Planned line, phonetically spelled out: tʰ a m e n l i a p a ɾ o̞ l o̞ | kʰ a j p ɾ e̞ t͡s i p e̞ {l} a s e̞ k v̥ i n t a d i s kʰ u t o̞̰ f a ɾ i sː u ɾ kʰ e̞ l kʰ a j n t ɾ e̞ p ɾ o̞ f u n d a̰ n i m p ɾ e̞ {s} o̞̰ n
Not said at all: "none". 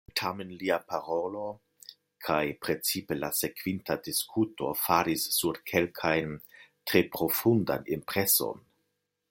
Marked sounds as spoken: l, s

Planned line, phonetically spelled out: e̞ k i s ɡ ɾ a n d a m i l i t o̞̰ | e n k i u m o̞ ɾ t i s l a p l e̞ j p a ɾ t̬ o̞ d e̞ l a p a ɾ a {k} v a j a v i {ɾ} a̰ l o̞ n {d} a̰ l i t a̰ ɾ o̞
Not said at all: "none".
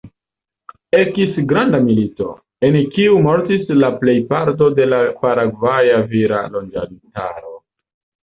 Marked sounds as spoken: ɡ, ɾ, d͡ʒ

